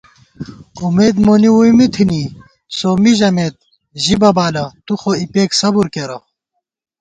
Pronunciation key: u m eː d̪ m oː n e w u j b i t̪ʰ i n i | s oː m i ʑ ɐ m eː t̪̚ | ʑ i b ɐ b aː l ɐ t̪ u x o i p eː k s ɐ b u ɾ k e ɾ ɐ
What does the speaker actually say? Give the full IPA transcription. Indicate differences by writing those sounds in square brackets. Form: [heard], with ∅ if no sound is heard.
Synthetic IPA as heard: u m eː d̪ m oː n [i] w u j [m] i t̪ʰ i n i | s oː m i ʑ ɐ m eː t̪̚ | ʑ i b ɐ b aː l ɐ t̪ u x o i p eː k s ɐ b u ɾ k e ɾ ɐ